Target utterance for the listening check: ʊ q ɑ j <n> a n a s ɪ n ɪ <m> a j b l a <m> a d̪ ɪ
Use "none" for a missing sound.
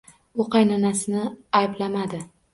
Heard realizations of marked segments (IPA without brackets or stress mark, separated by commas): n, none, m